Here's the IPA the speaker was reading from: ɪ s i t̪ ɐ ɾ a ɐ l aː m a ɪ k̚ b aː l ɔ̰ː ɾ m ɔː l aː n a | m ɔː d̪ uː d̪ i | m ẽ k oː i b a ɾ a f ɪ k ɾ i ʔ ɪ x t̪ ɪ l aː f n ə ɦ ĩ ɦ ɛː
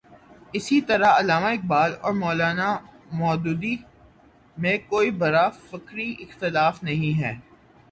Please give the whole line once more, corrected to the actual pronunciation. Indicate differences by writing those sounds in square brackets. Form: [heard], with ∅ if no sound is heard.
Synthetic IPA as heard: ɪ s i t̪ ɐ ɾ a ɐ l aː m a ɪ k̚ b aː l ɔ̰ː ɾ m ɔː l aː n a | m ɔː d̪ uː d̪ i | m ẽ k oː i b [ɐ] ɾ a f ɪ k ɾ i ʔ ɪ x t̪ ɪ l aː f n [ɐ] ɦ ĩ ɦ ɛː